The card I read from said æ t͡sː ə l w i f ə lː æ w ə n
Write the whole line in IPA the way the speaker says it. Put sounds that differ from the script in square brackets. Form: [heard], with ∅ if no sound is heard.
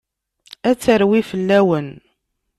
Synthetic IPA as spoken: æ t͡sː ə [ɾ] w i f ə lː æ w ə n